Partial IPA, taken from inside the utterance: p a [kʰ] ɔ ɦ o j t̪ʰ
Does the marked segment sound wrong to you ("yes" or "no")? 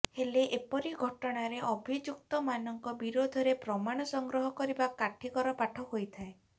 yes